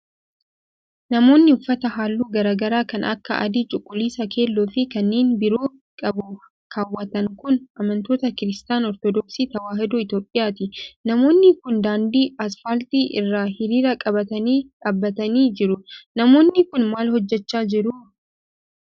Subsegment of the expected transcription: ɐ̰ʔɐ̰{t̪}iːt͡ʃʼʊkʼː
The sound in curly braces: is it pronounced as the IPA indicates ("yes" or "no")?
no